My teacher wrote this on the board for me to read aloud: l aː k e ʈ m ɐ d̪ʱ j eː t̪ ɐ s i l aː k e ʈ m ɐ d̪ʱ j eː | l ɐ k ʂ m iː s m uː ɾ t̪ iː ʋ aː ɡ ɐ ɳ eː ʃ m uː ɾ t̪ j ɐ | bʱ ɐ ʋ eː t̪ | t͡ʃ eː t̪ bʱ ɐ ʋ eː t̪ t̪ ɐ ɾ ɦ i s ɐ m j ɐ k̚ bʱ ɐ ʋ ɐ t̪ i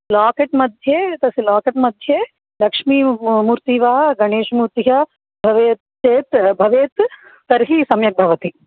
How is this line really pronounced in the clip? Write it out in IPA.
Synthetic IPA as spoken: l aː k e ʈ m ɐ d̪ʱ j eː t̪ ɐ s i l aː k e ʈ m ɐ d̪ʱ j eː | l ɐ k ʂ m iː m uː ɾ t̪ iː ʋ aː ɡ ɐ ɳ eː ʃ m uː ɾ t̪ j ɐ | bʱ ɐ ʋ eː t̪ | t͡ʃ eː t̪ bʱ ɐ ʋ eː t̪ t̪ ɐ ɾ ɦ i s ɐ m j ɐ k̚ bʱ ɐ ʋ ɐ t̪ i